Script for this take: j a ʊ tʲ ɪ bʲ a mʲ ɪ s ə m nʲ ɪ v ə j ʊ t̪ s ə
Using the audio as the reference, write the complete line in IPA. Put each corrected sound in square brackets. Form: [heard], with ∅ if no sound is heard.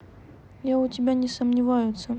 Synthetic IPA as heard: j a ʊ tʲ ɪ bʲ a [nʲ] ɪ s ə m nʲ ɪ v [a] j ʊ t̪ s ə